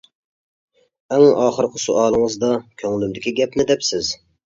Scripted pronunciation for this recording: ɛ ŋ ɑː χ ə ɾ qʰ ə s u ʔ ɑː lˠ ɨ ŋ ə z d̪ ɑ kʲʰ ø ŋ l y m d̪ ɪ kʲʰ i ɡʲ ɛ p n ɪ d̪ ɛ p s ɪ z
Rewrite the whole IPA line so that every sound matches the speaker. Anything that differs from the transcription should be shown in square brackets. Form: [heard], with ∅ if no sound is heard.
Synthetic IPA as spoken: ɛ ŋ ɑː χ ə ɾ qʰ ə s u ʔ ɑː lˠ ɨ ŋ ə z d̪ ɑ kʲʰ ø ŋ l y m d̪ ɪ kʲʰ i ɡʲ ɛ p n ɪ d̪ ɛ p s ɪ z

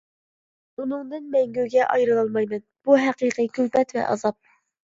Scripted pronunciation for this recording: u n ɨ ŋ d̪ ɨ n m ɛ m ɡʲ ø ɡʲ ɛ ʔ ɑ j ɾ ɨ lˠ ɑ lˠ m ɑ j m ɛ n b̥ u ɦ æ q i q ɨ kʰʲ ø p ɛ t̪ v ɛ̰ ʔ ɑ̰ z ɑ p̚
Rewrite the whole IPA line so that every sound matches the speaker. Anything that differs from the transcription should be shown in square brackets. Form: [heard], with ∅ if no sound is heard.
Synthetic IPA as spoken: u n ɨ ŋ d̪ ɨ n m ɛ [ŋ] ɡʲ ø ɡʲ ɛ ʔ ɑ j ɾ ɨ lˠ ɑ lˠ m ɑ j m ɛ n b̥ u ɦ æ q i q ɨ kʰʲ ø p ɛ t̪ v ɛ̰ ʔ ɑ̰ z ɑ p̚

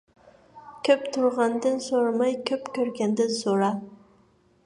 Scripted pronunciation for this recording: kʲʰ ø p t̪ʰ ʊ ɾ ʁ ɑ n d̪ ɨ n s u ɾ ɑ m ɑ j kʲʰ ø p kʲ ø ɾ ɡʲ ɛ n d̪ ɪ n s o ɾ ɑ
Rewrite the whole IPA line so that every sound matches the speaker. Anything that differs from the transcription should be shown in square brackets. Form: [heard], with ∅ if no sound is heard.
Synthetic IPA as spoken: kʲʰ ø p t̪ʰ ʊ ɾ ʁ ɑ n d̪ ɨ n s [o] ɾ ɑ m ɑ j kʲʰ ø p kʲ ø ɾ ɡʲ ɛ n d̪ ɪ n s o ɾ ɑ

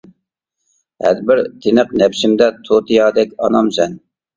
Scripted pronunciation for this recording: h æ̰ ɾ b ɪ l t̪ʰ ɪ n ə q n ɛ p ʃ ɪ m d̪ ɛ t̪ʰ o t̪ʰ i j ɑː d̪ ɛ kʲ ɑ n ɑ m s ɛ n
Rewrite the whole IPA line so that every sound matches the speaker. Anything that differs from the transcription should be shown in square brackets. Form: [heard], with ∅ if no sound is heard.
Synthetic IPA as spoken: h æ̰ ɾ b ɪ [ɾ] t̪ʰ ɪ n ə q n ɛ p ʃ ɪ m d̪ ɛ t̪ʰ o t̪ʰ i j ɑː d̪ ɛ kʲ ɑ n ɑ m s ɛ n

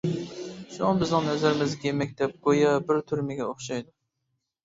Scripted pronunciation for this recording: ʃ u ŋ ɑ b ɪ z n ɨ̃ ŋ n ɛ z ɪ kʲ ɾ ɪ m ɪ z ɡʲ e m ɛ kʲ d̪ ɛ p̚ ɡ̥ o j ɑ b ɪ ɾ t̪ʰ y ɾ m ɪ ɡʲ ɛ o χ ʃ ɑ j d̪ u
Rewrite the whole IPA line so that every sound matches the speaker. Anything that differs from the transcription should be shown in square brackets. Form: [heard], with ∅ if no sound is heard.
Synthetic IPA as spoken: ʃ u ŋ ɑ b ɪ z n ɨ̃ ŋ n ɛ z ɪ [∅] ɾ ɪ m ɪ z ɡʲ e m ɛ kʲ d̪ ɛ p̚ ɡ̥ o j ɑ b ɪ ɾ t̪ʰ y ɾ m ɪ ɡʲ ɛ o χ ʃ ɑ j d̪ u

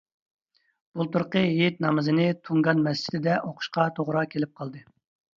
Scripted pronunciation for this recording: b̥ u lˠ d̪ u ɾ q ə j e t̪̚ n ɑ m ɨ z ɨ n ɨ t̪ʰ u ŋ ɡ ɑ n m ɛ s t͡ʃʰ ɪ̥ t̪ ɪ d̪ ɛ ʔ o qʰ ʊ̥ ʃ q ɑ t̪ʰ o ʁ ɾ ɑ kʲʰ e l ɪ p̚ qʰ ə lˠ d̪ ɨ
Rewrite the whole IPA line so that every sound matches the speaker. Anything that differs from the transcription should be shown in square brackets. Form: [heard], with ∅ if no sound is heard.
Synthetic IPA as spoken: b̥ u lˠ [t̪] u ɾ q ə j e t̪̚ n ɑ m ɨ z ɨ n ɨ t̪ʰ u ŋ ɡ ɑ n m ɛ s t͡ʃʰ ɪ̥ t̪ ɪ d̪ ɛ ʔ o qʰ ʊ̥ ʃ q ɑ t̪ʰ o ʁ ɾ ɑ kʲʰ e l ɪ p̚ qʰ [ɑ] lˠ d̪ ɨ

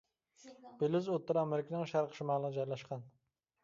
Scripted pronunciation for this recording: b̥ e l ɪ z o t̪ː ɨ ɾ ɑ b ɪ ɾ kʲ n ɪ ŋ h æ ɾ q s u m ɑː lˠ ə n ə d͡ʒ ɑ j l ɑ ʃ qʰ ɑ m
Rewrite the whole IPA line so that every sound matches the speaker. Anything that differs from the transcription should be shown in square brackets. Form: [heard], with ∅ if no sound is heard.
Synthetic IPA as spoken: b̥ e l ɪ z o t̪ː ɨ ɾ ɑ [m] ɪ ɾ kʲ n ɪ ŋ [ʃ] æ ɾ q [ʃ] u m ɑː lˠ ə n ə d͡ʒ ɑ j l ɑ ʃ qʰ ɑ [n]

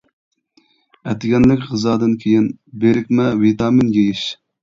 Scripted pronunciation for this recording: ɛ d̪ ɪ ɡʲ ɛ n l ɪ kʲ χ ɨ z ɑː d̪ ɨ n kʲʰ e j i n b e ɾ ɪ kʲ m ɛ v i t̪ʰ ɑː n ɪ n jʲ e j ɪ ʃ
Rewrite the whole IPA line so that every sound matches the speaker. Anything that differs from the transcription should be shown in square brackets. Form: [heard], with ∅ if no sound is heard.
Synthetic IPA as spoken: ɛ [t̪] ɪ ɡʲ ɛ n l ɪ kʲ [ʁ] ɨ z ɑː d̪ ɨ n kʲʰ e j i n b e ɾ ɪ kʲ m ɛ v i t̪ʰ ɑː [m] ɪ n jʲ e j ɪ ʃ

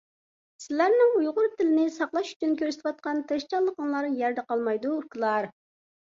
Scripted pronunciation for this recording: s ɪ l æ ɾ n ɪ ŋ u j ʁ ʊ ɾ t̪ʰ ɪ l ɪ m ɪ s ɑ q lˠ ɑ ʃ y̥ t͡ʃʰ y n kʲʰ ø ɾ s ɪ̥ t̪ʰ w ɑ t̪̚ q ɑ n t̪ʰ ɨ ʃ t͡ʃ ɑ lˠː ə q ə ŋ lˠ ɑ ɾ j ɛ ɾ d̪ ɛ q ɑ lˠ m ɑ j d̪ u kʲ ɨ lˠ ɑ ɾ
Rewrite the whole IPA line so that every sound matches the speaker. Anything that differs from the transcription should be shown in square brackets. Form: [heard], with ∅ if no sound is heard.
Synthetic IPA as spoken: s ɪ l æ ɾ n ɪ ŋ u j ʁ ʊ ɾ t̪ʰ ɪ l ɪ [n] ɪ s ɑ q lˠ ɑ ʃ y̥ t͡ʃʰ y n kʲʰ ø ɾ s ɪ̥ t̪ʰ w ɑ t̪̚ q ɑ n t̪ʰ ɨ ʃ t͡ʃ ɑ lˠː ə q ə ŋ lˠ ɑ ɾ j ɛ ɾ d̪ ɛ q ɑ lˠ m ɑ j d̪ u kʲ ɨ lˠ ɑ ɾ

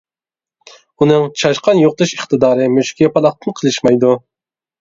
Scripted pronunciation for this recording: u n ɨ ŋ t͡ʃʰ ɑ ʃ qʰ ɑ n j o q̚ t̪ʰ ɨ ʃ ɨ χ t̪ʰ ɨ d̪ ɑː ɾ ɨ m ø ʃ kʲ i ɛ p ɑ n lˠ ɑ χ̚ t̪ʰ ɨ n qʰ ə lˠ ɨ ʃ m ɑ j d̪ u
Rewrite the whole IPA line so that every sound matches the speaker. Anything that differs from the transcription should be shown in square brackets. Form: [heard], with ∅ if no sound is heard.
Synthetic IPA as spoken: u n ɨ ŋ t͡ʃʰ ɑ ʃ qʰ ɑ n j o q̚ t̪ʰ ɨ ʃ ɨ χ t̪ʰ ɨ d̪ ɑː ɾ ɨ m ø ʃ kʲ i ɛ p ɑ [∅] lˠ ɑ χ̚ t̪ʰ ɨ n qʰ ə lˠ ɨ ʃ m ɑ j d̪ u

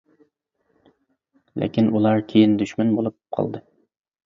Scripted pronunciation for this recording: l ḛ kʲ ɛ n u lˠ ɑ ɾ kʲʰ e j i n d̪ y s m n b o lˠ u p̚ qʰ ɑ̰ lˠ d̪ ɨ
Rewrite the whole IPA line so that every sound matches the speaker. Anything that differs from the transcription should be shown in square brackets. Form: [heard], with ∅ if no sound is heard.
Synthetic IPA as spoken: l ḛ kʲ [i] n u lˠ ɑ ɾ kʲʰ e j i n d̪ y [ʃ] m n b o lˠ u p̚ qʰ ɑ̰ lˠ d̪ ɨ

